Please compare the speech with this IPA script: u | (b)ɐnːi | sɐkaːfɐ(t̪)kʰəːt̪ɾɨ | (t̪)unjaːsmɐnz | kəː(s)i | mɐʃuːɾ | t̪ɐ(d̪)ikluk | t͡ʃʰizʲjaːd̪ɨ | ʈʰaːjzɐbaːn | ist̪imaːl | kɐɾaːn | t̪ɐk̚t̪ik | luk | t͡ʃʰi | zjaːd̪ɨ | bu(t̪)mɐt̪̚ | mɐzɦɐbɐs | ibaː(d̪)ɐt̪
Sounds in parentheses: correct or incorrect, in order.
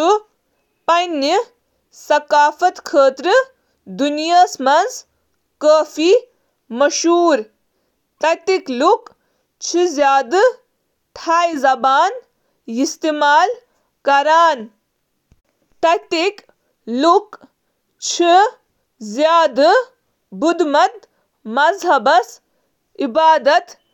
incorrect: p, correct, incorrect: d̪, incorrect: f, incorrect: t̪, incorrect: d̪, correct

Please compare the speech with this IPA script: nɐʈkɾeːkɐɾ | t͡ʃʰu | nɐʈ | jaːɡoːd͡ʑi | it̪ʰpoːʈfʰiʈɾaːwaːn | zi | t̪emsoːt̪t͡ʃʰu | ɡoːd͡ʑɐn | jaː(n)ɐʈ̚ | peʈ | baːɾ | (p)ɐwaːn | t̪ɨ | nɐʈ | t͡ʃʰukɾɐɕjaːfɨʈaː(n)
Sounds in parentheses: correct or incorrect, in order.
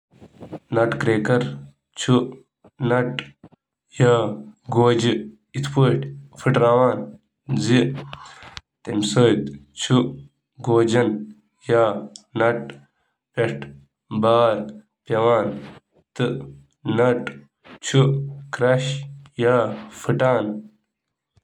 correct, correct, correct

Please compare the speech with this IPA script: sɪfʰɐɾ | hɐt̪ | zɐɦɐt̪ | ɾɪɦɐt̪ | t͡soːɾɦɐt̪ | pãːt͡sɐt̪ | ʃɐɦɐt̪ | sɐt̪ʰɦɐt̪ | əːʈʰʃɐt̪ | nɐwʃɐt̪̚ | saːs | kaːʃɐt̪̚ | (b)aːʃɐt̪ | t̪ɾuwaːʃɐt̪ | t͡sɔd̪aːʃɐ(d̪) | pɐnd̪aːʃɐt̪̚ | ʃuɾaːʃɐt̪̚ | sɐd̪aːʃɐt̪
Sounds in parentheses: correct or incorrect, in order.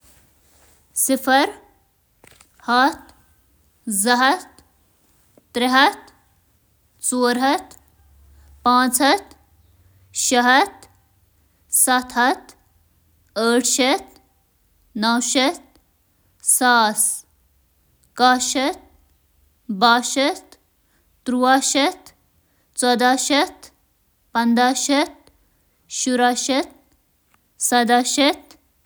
correct, incorrect: t̪

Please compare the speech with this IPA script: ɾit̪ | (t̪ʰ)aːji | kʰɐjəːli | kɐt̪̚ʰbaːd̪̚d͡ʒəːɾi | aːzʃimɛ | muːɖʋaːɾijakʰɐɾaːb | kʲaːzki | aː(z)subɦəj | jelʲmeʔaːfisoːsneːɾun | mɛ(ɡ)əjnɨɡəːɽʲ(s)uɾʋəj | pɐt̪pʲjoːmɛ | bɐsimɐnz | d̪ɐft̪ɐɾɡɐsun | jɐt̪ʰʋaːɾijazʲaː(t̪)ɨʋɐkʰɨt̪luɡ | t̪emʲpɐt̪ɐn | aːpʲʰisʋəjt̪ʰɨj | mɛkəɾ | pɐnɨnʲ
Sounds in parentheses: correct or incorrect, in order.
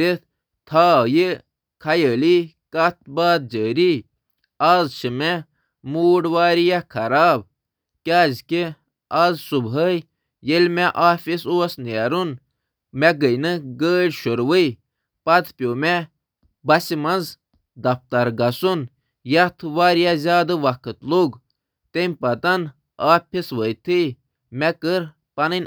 correct, correct, correct, incorrect: ʃ, incorrect: d̪

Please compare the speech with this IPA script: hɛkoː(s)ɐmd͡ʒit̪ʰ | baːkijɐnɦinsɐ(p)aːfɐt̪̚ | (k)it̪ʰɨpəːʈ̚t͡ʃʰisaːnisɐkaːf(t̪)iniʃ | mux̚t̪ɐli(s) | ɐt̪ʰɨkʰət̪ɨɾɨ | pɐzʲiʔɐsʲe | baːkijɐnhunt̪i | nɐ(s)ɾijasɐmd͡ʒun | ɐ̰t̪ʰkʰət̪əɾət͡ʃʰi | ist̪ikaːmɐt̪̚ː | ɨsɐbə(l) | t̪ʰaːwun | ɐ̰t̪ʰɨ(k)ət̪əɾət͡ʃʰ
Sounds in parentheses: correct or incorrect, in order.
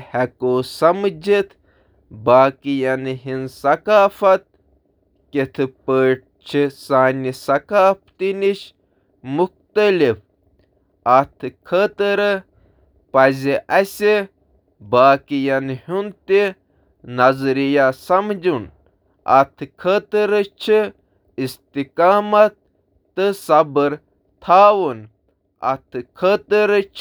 correct, incorrect: k, correct, correct, incorrect: f, incorrect: z, incorrect: ɾ, incorrect: kʰ

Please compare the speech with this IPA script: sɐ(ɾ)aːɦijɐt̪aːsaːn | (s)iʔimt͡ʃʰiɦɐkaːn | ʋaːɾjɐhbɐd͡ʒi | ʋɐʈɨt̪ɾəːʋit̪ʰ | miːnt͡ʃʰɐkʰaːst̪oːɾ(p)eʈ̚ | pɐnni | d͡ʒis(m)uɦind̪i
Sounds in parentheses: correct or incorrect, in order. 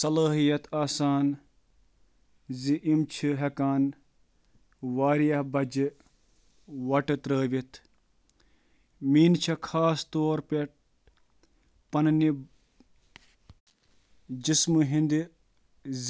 incorrect: l, incorrect: z, correct, correct

